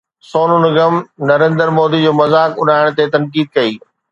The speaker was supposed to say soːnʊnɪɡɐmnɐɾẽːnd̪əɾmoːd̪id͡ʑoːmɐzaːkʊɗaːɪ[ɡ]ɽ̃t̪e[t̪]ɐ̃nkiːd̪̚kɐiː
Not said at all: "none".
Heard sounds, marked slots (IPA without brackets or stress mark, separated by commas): none, t̪